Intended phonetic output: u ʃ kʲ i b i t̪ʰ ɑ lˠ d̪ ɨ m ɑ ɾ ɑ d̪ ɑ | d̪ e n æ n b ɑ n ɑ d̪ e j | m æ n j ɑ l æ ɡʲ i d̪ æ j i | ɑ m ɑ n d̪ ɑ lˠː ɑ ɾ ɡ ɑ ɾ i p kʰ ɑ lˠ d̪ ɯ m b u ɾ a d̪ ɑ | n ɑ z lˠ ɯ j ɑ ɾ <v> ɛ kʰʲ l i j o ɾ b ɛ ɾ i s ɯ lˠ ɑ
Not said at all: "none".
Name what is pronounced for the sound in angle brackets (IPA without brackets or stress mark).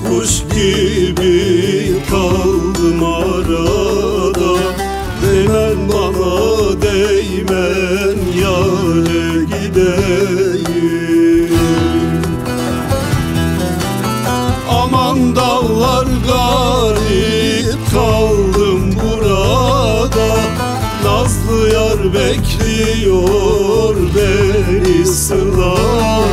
b